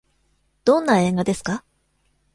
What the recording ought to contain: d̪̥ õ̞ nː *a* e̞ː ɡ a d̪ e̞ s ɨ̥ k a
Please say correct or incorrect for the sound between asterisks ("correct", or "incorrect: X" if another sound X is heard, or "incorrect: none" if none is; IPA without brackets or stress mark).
correct